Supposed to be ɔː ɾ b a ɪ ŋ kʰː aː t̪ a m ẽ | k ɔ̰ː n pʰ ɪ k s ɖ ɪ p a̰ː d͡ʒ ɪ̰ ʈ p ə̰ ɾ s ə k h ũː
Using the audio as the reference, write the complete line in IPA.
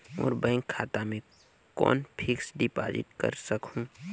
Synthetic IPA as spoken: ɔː ɾ b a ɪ ŋ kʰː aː t̪ a m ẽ | k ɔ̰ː n pʰ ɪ k s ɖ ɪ p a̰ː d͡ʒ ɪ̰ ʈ k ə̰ ɾ s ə k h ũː